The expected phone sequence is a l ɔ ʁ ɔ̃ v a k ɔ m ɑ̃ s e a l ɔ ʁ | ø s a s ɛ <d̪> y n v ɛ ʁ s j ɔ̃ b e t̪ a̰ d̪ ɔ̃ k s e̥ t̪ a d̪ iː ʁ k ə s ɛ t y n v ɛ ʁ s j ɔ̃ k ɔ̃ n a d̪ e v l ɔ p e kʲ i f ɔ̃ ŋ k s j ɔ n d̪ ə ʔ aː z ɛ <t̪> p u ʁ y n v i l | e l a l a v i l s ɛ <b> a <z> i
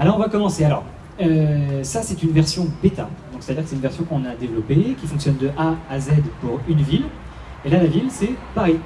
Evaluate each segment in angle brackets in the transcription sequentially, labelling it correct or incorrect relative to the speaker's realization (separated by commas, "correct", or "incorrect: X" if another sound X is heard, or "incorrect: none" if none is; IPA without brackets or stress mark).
incorrect: t̪, incorrect: d̪, incorrect: p, incorrect: ʁ